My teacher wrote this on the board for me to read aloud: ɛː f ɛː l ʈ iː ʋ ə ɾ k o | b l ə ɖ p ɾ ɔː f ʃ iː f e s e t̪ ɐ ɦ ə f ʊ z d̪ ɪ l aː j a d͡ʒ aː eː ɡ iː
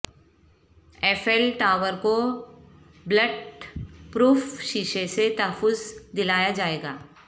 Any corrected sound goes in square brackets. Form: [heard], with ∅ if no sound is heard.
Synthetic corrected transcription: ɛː f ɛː l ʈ [aː] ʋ ə ɾ k o | b l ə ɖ p ɾ [uː] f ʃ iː [ʃ] e s e t̪ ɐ ɦ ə f ʊ z d̪ ɪ l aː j a d͡ʒ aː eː ɡ [aː]

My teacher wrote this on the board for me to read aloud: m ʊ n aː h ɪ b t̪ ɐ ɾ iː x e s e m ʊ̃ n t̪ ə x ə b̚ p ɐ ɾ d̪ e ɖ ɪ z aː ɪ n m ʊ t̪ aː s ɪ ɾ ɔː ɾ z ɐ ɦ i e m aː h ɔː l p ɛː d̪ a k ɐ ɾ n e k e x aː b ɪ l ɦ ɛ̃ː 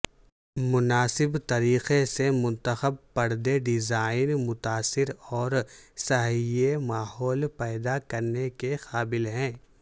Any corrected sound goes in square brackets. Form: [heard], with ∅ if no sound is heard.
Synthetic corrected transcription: m ʊ n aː [s] ɪ b t̪ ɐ ɾ iː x e s e m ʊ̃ n t̪ ə x ə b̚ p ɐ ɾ d̪ e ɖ ɪ z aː ɪ n m ʊ t̪ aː s ɪ ɾ ɔː ɾ [s] ɐ ɦ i e m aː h ɔː l p ɛː d̪ a k ɐ ɾ n e k e x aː b ɪ l ɦ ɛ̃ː

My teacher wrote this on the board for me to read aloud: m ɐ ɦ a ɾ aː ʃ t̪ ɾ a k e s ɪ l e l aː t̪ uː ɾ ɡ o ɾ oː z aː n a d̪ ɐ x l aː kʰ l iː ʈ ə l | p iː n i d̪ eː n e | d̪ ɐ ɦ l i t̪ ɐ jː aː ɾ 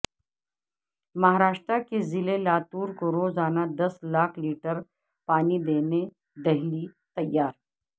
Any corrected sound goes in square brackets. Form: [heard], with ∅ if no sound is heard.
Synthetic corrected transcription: m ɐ ɦ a ɾ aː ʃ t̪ ɾ a k e [z] ɪ l e l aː t̪ uː ɾ [k] o ɾ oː z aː n a d̪ ɐ [s] l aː kʰ l iː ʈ ə [ɾ] | p [aː] n i d̪ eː n e | d̪ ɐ ɦ l i t̪ ɐ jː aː ɾ

